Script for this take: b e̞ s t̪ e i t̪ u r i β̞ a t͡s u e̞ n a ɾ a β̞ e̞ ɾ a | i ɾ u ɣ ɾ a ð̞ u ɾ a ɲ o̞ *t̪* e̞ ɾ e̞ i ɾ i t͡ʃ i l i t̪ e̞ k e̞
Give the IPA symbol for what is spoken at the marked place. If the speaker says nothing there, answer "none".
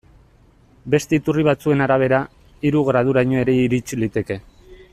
none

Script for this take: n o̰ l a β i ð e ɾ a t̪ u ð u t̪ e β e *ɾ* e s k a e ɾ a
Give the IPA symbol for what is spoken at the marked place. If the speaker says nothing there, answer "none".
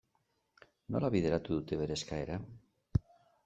ɾ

